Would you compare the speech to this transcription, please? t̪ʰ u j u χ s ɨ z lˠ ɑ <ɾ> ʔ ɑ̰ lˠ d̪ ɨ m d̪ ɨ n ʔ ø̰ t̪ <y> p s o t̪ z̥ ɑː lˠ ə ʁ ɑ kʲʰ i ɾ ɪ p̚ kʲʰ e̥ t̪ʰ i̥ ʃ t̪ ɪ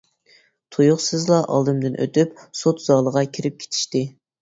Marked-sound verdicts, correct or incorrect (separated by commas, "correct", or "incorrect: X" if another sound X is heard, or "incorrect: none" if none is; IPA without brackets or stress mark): incorrect: none, correct